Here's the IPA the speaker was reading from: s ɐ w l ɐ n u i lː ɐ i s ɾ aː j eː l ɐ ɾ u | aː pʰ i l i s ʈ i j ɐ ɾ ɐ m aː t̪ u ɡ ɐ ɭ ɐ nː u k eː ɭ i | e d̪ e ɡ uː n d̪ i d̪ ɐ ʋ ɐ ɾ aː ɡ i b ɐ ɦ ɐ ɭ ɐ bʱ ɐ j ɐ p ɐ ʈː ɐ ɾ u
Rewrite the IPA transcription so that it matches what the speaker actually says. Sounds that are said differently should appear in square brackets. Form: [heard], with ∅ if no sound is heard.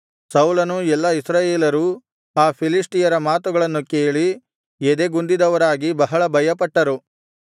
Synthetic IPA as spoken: s ɐ w l ɐ n u [ɛ] lː ɐ i s ɾ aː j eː l ɐ ɾ u | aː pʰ i l i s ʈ i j ɐ ɾ ɐ m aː t̪ u ɡ ɐ ɭ ɐ nː u k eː ɭ i | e d̪ e ɡ [u] n d̪ i d̪ ɐ ʋ ɐ ɾ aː ɡ i b ɐ ɦ ɐ ɭ ɐ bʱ ɐ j ɐ p ɐ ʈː ɐ ɾ u